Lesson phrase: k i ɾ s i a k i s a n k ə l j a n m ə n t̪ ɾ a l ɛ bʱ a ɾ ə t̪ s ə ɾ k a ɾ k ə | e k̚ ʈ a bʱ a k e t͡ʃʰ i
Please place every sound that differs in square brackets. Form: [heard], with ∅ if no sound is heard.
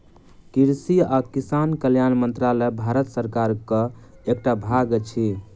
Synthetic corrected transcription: k i ɾ s i a k i s a n k ə l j a n m ə n t̪ ɾ a l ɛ bʱ a ɾ ə t̪ s ə ɾ k a ɾ k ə | e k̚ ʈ a bʱ a [ɡ] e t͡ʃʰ i